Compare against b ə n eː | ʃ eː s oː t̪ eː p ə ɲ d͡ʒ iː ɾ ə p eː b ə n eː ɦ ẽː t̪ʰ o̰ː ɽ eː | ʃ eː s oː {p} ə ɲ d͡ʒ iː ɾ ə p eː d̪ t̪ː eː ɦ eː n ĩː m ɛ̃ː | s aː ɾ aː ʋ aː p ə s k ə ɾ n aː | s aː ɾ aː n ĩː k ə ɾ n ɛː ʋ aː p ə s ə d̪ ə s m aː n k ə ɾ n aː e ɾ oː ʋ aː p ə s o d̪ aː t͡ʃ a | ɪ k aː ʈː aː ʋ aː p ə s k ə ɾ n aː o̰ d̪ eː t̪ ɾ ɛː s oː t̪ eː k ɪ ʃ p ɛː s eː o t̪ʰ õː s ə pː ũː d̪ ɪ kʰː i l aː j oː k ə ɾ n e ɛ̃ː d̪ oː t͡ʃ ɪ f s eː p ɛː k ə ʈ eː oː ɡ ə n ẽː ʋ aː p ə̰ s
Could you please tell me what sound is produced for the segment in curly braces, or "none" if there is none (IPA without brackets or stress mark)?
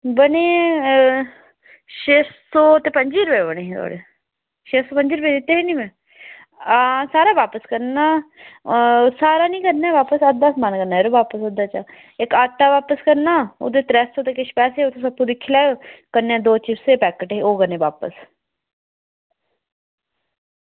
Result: p